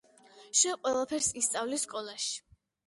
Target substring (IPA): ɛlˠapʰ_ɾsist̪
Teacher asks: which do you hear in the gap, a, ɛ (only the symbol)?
ɛ